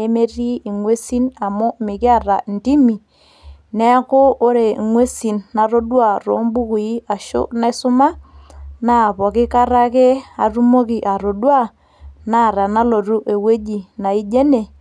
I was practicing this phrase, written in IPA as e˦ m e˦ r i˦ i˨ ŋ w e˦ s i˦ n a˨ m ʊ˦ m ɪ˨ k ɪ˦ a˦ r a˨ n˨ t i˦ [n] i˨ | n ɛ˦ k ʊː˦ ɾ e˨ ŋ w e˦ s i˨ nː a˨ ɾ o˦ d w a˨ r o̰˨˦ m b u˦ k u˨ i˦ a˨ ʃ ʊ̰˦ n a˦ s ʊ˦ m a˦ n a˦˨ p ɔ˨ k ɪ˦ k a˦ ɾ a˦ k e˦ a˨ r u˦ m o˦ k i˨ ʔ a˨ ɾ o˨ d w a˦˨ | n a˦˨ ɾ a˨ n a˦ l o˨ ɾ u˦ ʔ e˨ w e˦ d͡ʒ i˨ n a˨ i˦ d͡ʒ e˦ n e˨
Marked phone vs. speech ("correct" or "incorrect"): incorrect